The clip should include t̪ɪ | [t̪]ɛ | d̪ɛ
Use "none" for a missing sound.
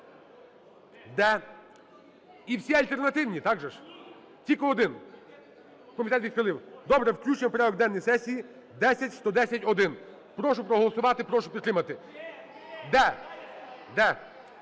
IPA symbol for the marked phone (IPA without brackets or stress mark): d̪